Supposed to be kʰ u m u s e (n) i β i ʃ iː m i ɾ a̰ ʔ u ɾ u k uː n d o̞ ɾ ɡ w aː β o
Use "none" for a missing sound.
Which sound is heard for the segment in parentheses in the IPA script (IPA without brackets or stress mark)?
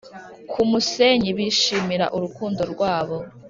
ɲ